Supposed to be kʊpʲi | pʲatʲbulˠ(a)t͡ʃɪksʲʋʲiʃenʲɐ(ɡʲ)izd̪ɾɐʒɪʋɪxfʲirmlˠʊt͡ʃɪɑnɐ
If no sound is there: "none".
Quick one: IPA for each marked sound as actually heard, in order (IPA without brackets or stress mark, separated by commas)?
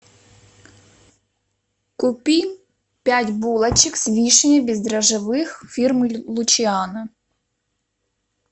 ɐ, bʲ